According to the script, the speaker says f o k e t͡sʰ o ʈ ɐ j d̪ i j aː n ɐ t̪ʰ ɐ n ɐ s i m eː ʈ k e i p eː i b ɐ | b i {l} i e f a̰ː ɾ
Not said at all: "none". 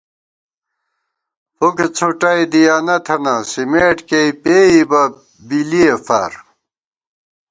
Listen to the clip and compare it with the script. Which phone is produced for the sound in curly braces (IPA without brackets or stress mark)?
l